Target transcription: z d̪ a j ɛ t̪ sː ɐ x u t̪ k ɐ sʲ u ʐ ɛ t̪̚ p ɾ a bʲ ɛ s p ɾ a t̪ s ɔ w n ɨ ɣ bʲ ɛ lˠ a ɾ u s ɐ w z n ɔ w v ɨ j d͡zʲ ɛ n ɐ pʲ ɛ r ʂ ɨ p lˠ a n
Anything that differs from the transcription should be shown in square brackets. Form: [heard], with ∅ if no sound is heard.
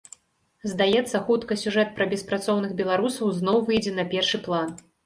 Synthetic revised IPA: z d̪ a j ɛ t̪ sː ɐ x u t̪ k ɐ sʲ u ʐ ɛ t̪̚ p ɾ [ɐ] bʲ ɛ s p ɾ a t̪ s ɔ w n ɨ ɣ bʲ ɛ lˠ a ɾ u s ɐ w z n ɔ w v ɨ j d͡zʲ ɛ n ɐ pʲ ɛ r ʂ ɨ p lˠ a n